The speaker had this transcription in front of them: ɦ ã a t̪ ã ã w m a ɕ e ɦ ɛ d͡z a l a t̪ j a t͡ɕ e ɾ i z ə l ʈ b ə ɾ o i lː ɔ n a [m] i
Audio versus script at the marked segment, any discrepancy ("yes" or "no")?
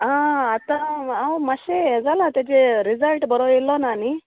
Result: yes